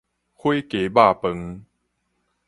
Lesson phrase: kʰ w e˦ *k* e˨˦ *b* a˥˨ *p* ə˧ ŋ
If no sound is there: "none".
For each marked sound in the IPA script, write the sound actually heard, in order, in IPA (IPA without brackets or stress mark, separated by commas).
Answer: k, b, p